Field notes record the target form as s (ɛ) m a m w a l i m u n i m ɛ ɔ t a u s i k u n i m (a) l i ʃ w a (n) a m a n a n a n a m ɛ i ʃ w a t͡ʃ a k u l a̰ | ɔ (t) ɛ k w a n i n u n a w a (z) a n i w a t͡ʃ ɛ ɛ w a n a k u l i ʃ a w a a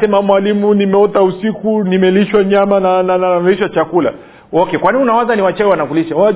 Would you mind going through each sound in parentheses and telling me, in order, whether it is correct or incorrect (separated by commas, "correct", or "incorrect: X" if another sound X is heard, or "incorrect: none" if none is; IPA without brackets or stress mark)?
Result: correct, incorrect: ɛ, incorrect: ɲ, incorrect: k, correct